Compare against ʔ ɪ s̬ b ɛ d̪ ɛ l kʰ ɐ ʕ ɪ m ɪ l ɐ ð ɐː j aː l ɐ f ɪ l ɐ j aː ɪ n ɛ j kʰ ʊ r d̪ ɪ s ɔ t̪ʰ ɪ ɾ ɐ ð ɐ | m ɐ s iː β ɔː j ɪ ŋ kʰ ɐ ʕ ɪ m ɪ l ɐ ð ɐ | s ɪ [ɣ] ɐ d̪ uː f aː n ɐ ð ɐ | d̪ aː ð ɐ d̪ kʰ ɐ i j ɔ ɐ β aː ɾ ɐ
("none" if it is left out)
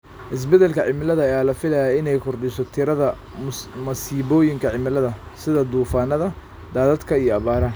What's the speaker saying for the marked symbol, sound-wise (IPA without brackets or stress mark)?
ð